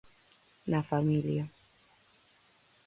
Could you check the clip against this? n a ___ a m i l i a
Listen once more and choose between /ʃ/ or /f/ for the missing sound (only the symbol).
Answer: f